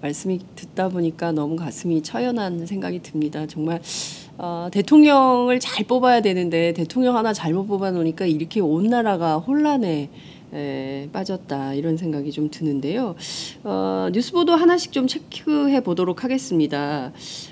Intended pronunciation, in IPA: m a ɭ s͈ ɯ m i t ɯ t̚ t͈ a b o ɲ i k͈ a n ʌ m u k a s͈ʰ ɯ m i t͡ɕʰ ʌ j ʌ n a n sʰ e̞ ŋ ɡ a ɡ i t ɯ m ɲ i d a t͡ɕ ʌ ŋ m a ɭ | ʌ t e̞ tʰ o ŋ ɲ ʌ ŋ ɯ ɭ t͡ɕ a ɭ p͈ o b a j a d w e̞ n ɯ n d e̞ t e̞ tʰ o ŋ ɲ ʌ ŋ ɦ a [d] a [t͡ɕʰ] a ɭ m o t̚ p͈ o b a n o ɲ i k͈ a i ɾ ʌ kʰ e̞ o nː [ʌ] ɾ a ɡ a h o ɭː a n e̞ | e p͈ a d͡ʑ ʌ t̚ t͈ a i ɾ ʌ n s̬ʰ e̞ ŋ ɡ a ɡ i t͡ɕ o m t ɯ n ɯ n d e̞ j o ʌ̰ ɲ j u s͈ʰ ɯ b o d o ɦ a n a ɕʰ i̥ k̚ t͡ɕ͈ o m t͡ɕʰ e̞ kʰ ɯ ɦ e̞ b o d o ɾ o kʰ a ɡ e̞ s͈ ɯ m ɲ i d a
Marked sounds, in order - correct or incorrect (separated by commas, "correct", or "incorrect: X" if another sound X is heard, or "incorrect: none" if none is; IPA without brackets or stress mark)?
incorrect: n, incorrect: t͡ɕ, incorrect: a